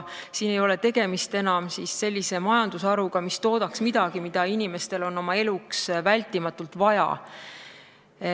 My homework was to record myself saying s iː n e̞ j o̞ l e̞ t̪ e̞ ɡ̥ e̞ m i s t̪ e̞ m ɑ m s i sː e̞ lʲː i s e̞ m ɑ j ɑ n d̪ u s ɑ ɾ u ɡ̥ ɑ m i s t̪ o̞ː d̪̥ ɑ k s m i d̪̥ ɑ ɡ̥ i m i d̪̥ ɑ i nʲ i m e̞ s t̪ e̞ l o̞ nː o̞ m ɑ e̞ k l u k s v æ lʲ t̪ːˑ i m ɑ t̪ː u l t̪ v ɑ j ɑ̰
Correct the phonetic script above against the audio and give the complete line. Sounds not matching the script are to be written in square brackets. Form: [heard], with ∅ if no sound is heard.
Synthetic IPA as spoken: s iː n e̞ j o̞ l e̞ t̪ e̞ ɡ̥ e̞ m i s t̪ e̞ [n] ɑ m s i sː e̞ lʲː i s e̞ m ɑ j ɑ n d̪ u s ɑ ɾ u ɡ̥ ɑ m i s t̪ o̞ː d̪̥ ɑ k s m i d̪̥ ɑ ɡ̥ i m i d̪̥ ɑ i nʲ i m e̞ s t̪ e̞ l o̞ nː o̞ m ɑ e̞ [∅] l u k s v æ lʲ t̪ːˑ i m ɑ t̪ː u l t̪ v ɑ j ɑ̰

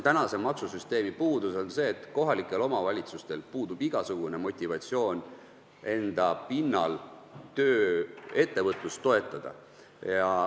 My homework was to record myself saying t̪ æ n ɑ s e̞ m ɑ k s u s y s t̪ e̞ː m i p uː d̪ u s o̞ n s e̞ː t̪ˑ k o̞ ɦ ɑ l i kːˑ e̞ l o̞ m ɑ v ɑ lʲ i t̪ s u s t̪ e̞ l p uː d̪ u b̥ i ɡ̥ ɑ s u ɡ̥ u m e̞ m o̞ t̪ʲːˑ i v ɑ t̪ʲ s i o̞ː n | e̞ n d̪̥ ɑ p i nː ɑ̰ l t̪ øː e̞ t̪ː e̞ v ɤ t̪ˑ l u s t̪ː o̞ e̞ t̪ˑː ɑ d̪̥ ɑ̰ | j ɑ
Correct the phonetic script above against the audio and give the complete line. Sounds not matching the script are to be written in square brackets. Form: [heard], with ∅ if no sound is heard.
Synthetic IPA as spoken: t̪ æ n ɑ s e̞ m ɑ k s u s y s t̪ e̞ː m i p uː d̪ u s o̞ n s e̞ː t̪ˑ k o̞ ɦ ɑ l i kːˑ e̞ l o̞ m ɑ v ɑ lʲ i t̪ s u s t̪ e̞ l p uː d̪ u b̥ i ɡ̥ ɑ s u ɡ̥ u [n] e̞ m o̞ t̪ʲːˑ i v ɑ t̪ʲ s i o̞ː n | e̞ n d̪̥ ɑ p i nː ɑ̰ l t̪ øː e̞ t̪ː e̞ v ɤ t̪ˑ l u s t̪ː o̞ e̞ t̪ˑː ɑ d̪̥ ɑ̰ | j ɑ

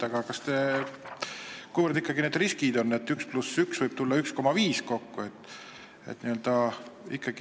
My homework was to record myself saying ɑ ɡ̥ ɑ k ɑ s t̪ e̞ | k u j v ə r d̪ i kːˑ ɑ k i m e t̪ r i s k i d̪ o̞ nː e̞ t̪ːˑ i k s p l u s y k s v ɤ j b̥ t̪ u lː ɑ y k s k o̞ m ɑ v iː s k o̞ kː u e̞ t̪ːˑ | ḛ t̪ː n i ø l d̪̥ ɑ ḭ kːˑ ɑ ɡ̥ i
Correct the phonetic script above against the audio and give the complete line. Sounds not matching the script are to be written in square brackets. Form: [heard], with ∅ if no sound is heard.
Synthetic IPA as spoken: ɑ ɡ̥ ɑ k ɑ s t̪ e̞ | k u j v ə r d̪ i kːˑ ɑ [ɡ] i [n] e [d̪] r i s k i d̪ o̞ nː e̞ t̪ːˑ [y] k s p l u s y k s v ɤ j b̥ t̪ u lː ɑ y k s k o̞ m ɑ v iː s k o̞ kː u e̞ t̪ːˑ | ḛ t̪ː n i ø l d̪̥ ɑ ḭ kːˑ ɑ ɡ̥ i

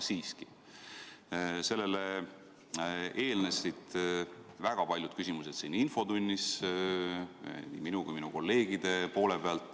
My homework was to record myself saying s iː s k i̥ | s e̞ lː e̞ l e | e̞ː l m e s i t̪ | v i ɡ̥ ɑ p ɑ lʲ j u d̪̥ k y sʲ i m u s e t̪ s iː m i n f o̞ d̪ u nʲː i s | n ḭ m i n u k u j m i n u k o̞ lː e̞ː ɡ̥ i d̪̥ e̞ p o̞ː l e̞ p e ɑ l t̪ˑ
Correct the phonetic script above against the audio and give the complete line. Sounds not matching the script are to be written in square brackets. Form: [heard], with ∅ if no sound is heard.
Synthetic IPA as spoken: s iː s k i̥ | s e̞ lː e̞ l e | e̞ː l [n] e s i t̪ | v [æ] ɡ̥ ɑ p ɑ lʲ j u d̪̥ k y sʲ i m u s e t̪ s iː [n] i n f o̞ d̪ u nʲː i s | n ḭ m i n u k u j m i n u k o̞ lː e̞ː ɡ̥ i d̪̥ e̞ p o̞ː l e̞ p e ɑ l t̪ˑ

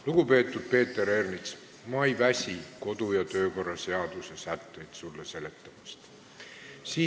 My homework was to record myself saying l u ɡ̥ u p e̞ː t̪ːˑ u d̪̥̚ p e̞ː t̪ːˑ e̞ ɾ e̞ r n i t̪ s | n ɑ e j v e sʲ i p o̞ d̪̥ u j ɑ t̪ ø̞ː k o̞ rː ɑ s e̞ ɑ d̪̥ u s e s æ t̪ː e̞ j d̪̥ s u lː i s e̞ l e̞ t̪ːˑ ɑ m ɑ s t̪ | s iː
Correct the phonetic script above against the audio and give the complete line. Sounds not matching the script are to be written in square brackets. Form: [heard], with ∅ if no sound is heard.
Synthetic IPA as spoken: l u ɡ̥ u p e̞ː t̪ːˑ u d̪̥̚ p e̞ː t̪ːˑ e̞ ɾ e̞ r n i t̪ s | [m] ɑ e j v [æ] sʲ i [k] o̞ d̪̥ u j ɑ t̪ ø̞ː k o̞ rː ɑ s e̞ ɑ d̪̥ u s e s æ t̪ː e̞ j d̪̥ s u lː [e] s e̞ l e̞ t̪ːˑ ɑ m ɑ s t̪ | s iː

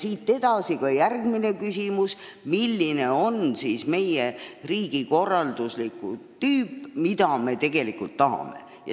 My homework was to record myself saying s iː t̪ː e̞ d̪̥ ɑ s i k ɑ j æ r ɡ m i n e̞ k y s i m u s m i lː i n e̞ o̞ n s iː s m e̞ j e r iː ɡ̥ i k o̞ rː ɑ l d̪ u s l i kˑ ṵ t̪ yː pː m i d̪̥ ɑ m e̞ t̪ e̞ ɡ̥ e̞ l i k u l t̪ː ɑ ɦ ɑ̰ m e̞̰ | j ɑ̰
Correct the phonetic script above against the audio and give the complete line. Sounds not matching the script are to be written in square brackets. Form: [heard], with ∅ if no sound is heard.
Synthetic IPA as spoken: s iː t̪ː e̞ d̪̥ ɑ s i k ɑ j æ r ɡ m i n e̞ k y s i m u s m i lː i n e̞ o̞ n s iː s m e̞ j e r iː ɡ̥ i k o̞ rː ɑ l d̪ u s l i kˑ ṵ t̪ yː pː m i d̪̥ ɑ m e̞ t̪ e̞ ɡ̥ e̞ l i k u l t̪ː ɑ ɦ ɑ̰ m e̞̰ | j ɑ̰

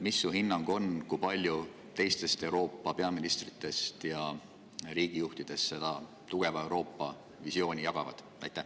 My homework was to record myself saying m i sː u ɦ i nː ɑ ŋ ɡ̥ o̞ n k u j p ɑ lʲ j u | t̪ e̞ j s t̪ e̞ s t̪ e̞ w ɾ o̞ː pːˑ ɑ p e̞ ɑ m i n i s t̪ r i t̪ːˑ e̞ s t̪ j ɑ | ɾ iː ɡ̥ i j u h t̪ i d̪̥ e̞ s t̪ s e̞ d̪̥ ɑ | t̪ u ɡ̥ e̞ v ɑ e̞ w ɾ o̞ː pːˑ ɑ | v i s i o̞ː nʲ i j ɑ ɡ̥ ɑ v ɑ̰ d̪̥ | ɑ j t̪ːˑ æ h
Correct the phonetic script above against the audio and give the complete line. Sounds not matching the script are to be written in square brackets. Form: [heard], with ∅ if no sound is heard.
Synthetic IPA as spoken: m i sː u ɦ i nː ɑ ŋ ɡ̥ o̞ n k u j p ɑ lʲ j u | t̪ e̞ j s t̪ e̞ s t̪ e̞ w ɾ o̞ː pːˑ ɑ p e̞ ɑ m i n i s t̪ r i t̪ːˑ e̞ s t̪ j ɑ | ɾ iː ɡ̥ i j u h t̪ i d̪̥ e̞ s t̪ s e̞ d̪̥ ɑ | t̪ u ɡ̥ e̞ v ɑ e̞ w ɾ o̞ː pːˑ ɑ | v i s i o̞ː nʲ i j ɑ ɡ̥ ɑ v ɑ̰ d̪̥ | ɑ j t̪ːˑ æ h

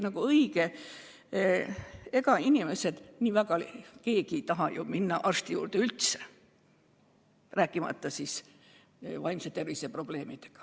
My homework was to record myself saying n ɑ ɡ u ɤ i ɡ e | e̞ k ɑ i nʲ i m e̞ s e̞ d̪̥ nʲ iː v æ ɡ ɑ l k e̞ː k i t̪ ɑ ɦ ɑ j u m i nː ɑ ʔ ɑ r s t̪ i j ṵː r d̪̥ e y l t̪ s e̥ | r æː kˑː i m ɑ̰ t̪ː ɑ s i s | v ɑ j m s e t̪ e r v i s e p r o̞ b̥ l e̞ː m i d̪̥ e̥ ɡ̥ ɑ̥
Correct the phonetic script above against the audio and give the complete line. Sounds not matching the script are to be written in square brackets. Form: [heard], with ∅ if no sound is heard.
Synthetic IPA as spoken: n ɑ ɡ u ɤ i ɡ e | e̞ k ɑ i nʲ i m e̞ s e̞ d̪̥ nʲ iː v æ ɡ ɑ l k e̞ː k i t̪ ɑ ɦ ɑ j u m i nː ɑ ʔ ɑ r s t̪ i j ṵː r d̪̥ e y l t̪ s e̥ | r æː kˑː i m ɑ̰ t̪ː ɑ s i s | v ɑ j m s e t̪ e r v i s e p r o̞ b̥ l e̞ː m i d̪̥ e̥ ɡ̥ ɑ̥

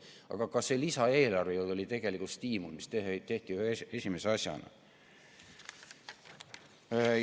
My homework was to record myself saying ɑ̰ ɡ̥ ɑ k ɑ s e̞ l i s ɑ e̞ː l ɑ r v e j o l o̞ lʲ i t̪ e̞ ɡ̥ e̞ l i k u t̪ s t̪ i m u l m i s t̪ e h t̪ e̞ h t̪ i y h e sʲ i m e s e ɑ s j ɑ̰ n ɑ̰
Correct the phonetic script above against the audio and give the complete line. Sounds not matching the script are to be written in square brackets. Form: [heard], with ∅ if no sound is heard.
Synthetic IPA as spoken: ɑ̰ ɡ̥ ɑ k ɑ s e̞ l i s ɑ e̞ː l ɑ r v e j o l o̞ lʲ i t̪ e̞ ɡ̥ e̞ l i k u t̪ s t̪ [iː] m u l m i s t̪ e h t̪ e̞ h t̪ i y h e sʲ i m e s e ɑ s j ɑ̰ n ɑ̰

